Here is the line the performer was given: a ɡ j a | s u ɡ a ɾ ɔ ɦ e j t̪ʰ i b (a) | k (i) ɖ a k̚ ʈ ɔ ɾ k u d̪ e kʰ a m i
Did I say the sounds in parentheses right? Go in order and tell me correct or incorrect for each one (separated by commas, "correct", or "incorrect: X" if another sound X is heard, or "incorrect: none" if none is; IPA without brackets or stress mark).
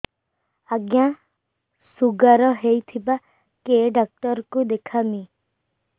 correct, incorrect: e